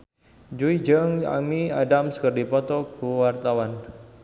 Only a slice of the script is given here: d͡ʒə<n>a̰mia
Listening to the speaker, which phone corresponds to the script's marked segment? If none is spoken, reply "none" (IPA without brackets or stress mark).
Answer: ŋ